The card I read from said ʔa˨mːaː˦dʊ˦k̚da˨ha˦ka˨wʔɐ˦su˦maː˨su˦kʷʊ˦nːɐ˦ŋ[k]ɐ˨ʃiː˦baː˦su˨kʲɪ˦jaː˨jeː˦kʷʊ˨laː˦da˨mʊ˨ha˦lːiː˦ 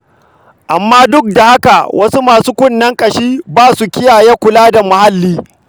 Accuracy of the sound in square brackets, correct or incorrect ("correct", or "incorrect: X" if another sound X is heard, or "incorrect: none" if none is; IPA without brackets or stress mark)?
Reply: incorrect: kʼ